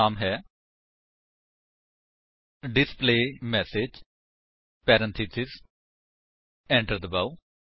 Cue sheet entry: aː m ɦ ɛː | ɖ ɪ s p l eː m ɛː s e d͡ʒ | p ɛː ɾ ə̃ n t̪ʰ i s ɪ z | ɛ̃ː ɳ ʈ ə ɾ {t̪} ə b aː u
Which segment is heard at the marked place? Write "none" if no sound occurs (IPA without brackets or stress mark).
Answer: d̪